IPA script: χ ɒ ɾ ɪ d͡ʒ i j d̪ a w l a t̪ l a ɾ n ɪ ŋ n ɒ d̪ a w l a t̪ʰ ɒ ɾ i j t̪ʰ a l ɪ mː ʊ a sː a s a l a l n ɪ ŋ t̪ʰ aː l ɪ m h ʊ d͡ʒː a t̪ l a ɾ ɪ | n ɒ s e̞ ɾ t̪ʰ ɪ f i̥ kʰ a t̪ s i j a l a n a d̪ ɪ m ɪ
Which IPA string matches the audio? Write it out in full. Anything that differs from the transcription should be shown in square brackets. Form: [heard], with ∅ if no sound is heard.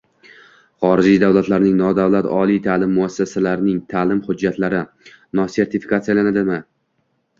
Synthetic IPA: χ ɒ ɾ ɪ d͡ʒ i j d̪ a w l a t̪ l a ɾ n ɪ ŋ n ɒ d̪ a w l a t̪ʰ ɒ [l] i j t̪ʰ a l ɪ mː ʊ a sː a s a l a [ɾ] n ɪ ŋ t̪ʰ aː l ɪ m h ʊ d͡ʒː a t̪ l a ɾ ɪ | n ɒ s e̞ ɾ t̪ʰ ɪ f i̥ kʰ a t̪ s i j a l a n a d̪ ɪ m ɪ